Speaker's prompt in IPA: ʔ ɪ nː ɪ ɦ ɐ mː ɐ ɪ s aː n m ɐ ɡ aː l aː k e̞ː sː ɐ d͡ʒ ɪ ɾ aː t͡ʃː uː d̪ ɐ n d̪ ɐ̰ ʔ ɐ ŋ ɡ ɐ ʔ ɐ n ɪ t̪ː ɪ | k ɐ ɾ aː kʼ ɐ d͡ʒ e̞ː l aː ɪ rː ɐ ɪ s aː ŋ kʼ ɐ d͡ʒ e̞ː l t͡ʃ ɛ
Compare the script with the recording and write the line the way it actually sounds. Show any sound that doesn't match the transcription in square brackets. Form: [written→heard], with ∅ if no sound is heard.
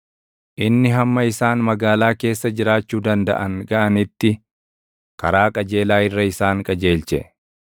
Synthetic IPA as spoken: ʔ ɪ nː ɪ ɦ ɐ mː ɐ ɪ s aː n m ɐ ɡ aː l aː k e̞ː sː ɐ d͡ʒ ɪ ɾ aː t͡ʃː uː d̪ ɐ n d̪ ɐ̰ ʔ ɐ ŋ ɡ ɐ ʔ ɐ n ɪ t̪ː ɪ | k ɐ ɾ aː kʼ ɐ d͡ʒ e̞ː l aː ɪ rː ɐ ɪ s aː ŋ kʼ ɐ d͡ʒ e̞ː l t͡ʃ ɛ